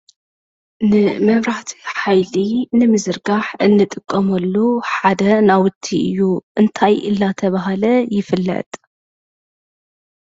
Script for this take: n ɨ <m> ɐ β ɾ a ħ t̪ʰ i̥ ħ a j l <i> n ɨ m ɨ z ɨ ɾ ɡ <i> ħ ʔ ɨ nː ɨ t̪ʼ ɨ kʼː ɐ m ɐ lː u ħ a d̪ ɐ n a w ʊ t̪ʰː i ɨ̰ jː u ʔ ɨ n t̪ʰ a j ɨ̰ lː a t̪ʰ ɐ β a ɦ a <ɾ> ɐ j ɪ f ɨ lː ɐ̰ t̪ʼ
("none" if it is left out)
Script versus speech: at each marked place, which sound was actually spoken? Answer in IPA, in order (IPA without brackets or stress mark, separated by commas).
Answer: m, i, a, l